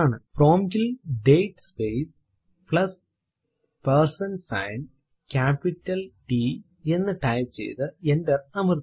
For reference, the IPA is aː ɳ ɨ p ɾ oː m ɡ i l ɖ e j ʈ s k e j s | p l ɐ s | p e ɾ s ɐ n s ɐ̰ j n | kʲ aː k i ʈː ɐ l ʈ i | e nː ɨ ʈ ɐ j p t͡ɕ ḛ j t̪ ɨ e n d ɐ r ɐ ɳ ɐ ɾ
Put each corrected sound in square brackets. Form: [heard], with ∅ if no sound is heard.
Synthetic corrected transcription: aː ɳ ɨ p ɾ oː m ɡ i l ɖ e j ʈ s [p] e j s | p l ɐ s | p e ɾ s ɐ n s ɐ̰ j n | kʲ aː [p] i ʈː ɐ l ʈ i | e nː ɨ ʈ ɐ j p t͡ɕ ḛ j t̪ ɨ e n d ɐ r ɐ [m] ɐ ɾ